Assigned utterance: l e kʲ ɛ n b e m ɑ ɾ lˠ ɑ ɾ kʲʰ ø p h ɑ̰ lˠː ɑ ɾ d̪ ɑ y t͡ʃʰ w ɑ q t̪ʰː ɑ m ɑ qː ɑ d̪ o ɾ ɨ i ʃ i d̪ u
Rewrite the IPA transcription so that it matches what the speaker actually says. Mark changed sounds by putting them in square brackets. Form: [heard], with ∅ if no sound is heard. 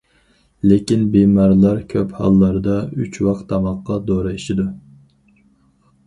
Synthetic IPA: l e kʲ [i] n b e m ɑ ɾ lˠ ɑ ɾ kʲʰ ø p h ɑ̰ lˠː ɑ ɾ d̪ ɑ y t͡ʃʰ w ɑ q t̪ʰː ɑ m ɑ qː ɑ d̪ o ɾ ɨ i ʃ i d̪ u

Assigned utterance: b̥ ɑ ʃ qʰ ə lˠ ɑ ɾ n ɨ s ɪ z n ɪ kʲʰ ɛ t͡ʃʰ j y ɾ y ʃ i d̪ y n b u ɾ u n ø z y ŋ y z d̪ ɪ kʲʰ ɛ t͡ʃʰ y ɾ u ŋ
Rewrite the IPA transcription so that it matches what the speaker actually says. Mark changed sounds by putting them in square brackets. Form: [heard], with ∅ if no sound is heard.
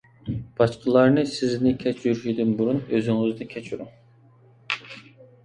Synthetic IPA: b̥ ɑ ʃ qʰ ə lˠ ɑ ɾ n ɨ s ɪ z n ɪ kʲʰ ɛ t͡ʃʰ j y ɾ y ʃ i d̪ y n b u ɾ u n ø z y ŋ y z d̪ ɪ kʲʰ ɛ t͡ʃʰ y ɾ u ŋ

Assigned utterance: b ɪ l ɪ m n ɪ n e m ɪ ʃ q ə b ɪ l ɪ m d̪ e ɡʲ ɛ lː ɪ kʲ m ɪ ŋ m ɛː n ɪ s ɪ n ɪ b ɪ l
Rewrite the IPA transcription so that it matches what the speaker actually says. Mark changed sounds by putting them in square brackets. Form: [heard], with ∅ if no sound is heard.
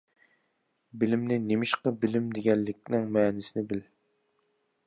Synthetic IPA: b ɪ l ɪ m n ɪ n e m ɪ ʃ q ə b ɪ l ɪ m d̪ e ɡʲ ɛ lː ɪ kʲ [n] ɪ ŋ m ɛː n ɪ s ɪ n ɪ b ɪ l

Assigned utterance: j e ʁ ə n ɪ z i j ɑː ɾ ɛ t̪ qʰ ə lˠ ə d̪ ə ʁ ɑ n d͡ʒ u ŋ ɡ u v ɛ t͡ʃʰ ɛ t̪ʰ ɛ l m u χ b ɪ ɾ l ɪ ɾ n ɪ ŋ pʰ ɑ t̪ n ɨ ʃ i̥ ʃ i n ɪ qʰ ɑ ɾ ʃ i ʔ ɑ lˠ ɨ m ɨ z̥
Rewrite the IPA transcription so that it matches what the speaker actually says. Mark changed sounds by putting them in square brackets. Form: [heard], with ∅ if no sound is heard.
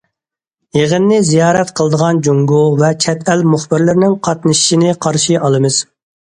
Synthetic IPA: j e ʁ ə [nː] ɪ z i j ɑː ɾ ɛ t̪ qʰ ə lˠ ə d̪ ə ʁ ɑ n d͡ʒ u ŋ ɡ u v ɛ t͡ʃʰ ɛ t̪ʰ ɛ l m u χ b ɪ ɾ l ɪ ɾ n ɪ ŋ [qʰ] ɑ t̪ n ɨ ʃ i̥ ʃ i n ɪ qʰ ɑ ɾ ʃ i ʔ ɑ lˠ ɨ m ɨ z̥

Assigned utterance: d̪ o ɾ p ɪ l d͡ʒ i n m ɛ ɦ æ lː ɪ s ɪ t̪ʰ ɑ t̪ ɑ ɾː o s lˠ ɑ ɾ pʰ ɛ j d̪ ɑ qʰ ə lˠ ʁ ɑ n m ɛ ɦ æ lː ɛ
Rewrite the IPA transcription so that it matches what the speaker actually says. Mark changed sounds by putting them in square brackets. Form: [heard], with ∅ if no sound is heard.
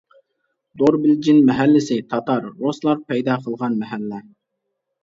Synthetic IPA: d̪ o ɾ [b] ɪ l d͡ʒ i n m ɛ ɦ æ lː ɪ s ɪ t̪ʰ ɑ t̪ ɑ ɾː o s lˠ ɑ ɾ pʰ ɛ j d̪ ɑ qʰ ə lˠ ʁ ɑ n m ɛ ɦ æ lː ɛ

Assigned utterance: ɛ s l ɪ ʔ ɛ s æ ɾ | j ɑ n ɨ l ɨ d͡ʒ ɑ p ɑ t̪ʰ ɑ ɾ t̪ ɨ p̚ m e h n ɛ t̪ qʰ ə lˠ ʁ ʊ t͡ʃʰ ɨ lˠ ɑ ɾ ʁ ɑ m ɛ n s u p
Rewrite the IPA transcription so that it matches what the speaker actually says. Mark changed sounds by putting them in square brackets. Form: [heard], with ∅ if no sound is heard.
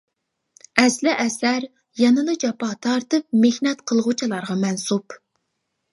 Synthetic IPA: ɛ s l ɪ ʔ ɛ s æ ɾ | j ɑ n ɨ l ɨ d͡ʒ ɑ p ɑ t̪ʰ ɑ ɾ t̪ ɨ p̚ m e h n ɛ t̪ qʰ ə lˠ ʁ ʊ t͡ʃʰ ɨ lˠ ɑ ɾ ʁ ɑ m ɛ n s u p

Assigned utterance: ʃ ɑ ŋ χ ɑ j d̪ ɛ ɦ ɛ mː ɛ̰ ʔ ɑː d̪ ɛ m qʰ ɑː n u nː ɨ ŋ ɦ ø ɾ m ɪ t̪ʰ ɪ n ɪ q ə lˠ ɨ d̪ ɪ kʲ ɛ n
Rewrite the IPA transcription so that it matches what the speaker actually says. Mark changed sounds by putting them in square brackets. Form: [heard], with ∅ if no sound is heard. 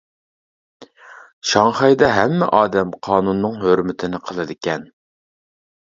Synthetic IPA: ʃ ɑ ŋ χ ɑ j d̪ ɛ ɦ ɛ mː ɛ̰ ʔ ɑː d̪ ɛ m qʰ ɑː n u nː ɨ ŋ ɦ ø ɾ m ɪ t̪ʰ ɪ n ɪ [qʰ] ə lˠ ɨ d̪ ɪ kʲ ɛ n

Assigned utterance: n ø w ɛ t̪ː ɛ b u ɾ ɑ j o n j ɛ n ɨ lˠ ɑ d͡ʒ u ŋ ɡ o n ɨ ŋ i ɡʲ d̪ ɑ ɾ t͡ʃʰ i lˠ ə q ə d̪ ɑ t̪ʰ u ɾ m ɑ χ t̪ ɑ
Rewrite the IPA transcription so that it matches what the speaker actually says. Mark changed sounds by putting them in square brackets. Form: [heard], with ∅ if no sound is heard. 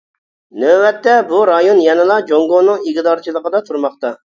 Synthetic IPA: n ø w ɛ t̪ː ɛ b u ɾ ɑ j o n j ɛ n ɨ lˠ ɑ d͡ʒ [o] ŋ ɡ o n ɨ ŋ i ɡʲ d̪ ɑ ɾ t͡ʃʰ i lˠ ə q ə d̪ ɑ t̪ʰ u ɾ m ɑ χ t̪ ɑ

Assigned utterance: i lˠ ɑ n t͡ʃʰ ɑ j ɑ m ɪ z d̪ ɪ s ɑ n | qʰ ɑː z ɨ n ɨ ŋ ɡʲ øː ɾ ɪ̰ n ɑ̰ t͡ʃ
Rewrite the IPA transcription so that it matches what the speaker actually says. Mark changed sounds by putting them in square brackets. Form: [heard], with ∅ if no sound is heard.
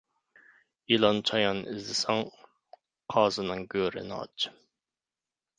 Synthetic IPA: i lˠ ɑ n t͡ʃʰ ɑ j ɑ [n] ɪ z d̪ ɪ s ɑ [ŋ] | qʰ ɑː z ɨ n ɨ ŋ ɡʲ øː ɾ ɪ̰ n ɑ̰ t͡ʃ

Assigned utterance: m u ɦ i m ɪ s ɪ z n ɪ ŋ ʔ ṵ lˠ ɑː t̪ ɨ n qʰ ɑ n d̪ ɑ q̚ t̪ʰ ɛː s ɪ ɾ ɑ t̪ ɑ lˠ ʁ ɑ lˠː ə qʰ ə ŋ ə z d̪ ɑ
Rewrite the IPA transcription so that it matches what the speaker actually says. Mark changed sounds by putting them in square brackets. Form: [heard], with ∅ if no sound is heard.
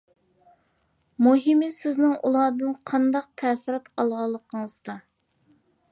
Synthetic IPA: m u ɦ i m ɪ s ɪ z n ɪ ŋ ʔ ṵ lˠ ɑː [d̪] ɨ n qʰ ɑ n d̪ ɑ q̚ t̪ʰ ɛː s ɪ ɾ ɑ t̪ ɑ lˠ ʁ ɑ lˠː ə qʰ ə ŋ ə z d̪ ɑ

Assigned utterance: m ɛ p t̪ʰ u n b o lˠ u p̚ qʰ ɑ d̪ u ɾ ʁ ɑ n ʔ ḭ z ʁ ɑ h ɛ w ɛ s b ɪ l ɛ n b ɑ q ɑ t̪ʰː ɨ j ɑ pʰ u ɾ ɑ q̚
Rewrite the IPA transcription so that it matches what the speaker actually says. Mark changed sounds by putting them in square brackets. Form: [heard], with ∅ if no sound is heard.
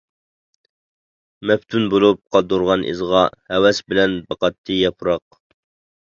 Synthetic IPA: m ɛ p t̪ʰ u n b o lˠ u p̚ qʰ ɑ d̪ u ɾ ʁ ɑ n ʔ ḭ z ʁ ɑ h ɛ w ɛ s b ɪ l ɛ n b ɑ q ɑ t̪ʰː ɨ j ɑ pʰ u ɾ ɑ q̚

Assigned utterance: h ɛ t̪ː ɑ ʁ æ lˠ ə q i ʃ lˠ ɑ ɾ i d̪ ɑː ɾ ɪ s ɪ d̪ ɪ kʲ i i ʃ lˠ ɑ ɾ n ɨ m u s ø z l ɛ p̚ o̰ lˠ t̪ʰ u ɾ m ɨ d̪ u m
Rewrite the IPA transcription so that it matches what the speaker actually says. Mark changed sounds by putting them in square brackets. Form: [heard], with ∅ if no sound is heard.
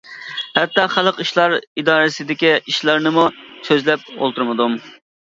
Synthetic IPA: h ɛ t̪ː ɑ [χ] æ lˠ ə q i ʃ lˠ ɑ ɾ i d̪ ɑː ɾ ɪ s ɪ d̪ ɪ kʲ i i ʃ lˠ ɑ ɾ n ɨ m u s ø z l ɛ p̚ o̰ lˠ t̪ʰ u ɾ m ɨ d̪ u m

